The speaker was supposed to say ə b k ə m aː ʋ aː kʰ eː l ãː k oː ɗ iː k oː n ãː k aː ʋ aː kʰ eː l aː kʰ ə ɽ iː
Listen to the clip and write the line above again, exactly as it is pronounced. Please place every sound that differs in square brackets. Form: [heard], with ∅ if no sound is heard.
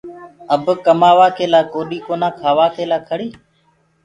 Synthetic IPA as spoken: ə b k ə m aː ʋ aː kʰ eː l [aː] k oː ɗ iː k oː n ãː [kʰ] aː ʋ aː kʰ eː l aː kʰ ə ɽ iː